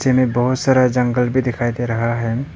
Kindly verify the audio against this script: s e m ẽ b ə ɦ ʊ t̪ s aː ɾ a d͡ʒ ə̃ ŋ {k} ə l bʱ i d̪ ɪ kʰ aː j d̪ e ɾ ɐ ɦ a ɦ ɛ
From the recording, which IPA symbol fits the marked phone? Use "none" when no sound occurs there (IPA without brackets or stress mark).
ɡ